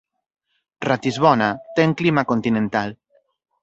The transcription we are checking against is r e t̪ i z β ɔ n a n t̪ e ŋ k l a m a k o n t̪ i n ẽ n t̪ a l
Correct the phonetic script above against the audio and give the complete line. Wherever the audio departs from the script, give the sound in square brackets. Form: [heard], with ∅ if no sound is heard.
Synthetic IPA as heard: r [a] t̪ i z β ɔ n a [∅] t̪ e ŋ k l [i] m a k o n t̪ i n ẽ n t̪ a l